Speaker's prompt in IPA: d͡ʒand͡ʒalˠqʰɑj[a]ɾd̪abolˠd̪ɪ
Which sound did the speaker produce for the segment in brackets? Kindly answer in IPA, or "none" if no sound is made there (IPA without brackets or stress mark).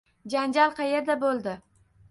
e